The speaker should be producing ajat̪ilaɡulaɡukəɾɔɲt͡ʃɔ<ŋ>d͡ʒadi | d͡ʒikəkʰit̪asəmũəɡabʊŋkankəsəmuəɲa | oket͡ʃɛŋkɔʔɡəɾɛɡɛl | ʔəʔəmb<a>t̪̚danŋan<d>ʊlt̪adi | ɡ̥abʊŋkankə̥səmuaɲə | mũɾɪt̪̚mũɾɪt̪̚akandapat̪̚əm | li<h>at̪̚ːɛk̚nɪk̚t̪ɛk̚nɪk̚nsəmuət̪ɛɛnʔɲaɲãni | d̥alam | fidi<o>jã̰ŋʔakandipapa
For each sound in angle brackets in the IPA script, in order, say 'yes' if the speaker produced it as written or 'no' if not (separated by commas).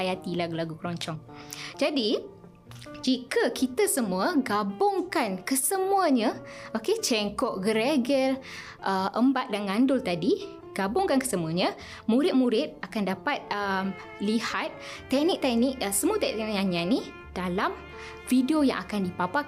yes, yes, yes, yes, yes